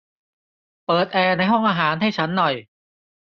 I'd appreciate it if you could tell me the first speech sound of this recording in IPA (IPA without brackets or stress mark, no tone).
p